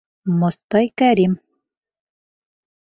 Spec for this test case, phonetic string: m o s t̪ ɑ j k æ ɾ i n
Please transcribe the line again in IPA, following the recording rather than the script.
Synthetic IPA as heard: m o s t̪ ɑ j k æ ɾ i m